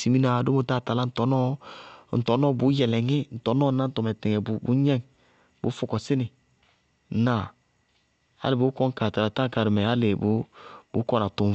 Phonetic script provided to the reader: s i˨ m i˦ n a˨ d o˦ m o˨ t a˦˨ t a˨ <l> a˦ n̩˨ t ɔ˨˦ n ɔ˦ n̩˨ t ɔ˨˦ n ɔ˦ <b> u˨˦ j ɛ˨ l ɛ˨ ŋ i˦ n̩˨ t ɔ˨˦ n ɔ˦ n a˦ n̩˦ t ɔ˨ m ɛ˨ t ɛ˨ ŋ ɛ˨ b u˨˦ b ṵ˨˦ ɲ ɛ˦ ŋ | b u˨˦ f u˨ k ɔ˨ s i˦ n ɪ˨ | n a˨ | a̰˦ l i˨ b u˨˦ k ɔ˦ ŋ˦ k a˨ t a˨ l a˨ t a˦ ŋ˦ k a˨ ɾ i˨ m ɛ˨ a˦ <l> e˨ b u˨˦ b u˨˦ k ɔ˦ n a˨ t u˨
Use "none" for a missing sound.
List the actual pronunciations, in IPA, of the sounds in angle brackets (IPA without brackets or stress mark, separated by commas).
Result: l, b, l